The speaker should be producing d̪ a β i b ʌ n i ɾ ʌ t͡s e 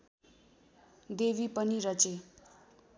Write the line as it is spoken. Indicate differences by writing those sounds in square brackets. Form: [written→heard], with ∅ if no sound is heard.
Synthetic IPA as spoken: d̪ [a→e] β i [b→p] ʌ n i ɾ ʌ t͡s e